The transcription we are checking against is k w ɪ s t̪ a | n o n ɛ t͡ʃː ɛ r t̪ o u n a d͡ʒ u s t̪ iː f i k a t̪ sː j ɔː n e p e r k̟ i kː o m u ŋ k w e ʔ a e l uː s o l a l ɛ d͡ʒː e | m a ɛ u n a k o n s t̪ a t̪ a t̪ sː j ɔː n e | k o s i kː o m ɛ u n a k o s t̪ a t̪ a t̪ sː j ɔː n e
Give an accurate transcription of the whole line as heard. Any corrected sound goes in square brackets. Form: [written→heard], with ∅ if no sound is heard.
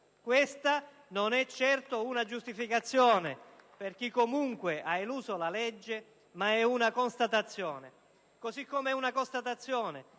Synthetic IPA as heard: k w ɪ s t̪ a | n o n ɛ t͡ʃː ɛ r t̪ o u n a d͡ʒ u s t̪ [iː→i] f i k a t̪ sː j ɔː n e p e r k̟ i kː o m u ŋ k w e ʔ a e l uː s o l a l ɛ d͡ʒː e | m a ɛ u n a k o n s t̪ a t̪ a t̪ sː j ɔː n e | k o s i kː o m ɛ u n a k o s t̪ a t̪ a t̪ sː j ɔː n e